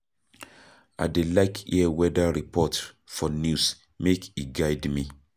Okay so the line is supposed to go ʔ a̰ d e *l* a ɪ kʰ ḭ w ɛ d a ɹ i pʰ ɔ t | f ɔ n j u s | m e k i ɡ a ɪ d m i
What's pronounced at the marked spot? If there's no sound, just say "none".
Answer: l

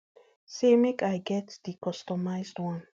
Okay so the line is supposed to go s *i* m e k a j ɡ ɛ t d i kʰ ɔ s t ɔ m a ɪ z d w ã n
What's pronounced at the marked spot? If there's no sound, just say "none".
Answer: e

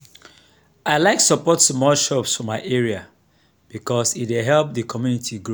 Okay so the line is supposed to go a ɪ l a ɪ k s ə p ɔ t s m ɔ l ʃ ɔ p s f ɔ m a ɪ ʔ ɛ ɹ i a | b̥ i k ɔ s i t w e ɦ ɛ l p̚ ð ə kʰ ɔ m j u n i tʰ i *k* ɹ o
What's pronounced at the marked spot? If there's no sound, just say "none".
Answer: ɡ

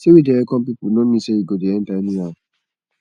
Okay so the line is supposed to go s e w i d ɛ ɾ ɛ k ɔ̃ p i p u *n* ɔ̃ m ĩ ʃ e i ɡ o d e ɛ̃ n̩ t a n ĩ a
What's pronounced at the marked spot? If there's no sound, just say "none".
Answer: n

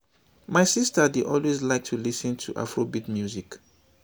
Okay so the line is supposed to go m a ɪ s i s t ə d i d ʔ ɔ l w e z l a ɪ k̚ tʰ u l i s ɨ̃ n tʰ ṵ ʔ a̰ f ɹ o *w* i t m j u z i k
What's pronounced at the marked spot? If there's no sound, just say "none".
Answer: b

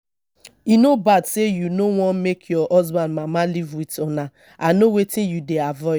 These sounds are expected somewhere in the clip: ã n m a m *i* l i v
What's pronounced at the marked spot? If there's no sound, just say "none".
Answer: a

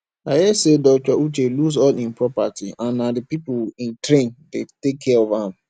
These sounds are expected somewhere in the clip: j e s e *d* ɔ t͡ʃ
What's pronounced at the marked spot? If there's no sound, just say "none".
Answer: d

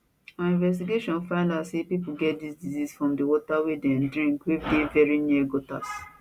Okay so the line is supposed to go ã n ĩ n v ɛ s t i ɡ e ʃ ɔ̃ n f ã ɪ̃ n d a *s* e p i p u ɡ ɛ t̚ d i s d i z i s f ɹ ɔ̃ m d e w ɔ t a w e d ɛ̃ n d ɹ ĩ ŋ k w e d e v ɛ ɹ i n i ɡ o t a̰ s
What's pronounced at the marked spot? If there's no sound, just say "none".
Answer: s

